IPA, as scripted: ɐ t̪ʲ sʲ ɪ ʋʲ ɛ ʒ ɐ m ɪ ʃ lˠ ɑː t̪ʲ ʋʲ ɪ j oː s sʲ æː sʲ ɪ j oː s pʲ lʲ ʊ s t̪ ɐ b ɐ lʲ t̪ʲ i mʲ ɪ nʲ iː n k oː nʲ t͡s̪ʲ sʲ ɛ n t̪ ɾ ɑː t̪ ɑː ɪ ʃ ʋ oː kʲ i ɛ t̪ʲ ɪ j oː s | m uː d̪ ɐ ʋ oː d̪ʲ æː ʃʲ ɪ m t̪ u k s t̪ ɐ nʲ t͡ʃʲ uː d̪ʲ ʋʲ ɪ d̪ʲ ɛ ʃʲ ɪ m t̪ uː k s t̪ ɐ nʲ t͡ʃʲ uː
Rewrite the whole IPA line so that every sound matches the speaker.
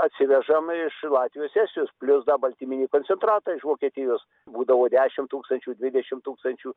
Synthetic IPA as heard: ɐ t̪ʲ sʲ ɪ ʋʲ ɛ ʒ ɐ m ɪ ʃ lˠ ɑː t̪ʲ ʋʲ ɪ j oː s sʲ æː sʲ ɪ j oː s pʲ lʲ ʊ s d̪ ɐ b ɐ lʲ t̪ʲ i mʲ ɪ nʲ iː k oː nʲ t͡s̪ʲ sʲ ɛ n t̪ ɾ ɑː t̪ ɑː ɪ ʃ ʋ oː kʲ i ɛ t̪ʲ ɪ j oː s | b uː d̪ ɐ ʋ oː d̪ʲ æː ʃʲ ɪ m t̪ uː k s t̪ ɐ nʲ t͡ʃʲ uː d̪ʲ ʋʲ ɪ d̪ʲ ɛ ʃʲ ɪ m t̪ uː k s t̪ ɐ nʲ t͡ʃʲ uː